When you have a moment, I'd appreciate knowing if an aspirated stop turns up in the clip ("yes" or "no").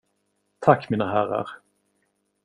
yes